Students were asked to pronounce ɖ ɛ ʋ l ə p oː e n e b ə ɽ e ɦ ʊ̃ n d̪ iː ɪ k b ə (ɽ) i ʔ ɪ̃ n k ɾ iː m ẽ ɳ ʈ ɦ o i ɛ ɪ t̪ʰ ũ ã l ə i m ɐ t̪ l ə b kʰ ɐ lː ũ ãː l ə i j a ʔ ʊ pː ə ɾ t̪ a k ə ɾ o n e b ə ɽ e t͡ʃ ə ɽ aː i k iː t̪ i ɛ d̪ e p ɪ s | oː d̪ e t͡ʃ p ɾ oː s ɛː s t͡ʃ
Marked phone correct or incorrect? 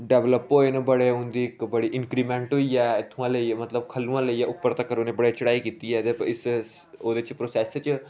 correct